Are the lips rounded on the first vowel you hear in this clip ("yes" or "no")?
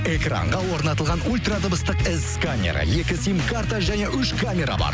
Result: no